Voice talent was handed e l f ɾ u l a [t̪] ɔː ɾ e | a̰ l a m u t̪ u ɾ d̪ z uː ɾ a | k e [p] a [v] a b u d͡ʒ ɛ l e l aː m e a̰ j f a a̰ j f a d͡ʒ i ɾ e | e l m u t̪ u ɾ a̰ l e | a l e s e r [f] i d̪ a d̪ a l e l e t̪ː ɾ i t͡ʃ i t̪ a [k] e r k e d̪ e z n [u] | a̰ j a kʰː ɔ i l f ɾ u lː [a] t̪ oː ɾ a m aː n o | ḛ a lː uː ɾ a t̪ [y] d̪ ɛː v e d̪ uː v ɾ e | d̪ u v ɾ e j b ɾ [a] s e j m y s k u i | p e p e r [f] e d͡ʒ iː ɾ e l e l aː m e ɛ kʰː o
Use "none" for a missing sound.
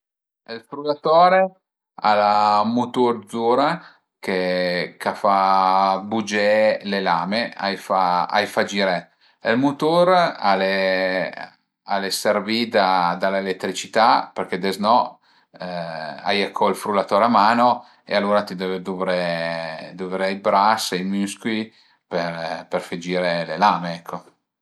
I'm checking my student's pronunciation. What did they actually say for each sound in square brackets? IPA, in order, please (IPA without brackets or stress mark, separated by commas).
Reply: t̪, k, f, v, p, ɔ, a, i, a, f